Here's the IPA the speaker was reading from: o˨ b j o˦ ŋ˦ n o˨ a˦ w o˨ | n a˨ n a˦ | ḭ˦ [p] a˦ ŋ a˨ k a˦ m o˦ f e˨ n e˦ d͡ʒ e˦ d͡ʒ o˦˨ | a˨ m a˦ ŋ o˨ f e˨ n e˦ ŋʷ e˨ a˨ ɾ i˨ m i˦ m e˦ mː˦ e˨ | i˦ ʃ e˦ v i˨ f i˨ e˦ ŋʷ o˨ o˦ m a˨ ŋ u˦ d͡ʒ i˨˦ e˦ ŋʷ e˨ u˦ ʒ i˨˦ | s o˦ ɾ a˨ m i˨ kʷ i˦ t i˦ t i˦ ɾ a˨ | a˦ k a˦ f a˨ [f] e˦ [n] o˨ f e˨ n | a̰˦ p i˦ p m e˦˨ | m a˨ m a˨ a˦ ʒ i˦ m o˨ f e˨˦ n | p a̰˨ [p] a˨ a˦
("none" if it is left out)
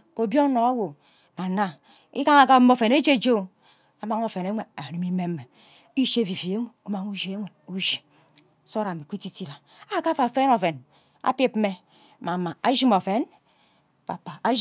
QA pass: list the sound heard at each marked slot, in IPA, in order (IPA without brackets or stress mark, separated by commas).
k, f, n, p